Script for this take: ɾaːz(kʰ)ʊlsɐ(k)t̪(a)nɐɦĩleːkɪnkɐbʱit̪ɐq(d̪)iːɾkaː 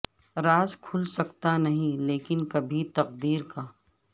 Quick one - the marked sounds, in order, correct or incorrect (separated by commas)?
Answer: correct, correct, correct, correct